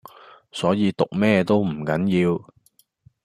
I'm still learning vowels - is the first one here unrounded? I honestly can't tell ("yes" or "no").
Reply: no